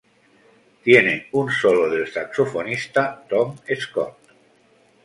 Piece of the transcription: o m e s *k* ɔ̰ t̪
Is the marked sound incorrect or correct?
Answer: correct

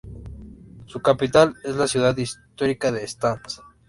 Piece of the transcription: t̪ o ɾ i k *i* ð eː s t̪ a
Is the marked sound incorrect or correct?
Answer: incorrect: a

